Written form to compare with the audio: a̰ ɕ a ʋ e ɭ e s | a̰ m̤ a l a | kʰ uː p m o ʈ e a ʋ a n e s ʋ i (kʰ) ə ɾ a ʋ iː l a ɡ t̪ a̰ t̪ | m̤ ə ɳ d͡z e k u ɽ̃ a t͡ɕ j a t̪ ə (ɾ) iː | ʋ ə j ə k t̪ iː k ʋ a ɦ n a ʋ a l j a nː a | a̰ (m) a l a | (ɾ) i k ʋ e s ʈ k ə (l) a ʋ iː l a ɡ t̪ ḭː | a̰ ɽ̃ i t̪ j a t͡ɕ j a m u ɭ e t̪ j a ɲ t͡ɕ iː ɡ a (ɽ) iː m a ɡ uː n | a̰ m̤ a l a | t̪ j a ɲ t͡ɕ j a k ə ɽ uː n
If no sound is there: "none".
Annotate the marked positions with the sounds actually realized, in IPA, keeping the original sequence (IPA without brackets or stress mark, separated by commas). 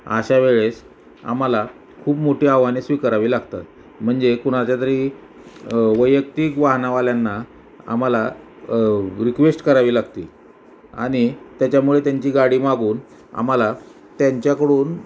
k, ɾ, m, ɾ, ɾ, ɽ